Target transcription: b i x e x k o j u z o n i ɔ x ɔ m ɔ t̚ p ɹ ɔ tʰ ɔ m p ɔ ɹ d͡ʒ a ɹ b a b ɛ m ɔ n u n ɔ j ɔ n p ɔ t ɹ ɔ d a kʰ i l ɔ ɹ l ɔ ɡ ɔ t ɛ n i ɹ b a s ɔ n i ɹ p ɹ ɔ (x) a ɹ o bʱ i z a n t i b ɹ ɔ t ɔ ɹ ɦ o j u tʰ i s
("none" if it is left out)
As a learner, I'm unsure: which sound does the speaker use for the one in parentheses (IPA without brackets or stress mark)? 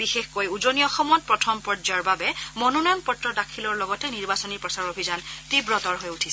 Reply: s